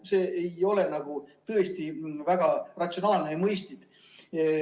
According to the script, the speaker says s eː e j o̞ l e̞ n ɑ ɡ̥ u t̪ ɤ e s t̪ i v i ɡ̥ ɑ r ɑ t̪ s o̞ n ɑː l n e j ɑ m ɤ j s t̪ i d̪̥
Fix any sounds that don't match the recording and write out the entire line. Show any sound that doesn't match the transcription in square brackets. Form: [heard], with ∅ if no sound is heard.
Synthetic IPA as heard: s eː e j o̞ l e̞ n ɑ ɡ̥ u t̪ ɤ e s t̪ i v [æ] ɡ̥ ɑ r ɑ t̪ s o̞ n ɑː l n e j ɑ m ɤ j s t̪ i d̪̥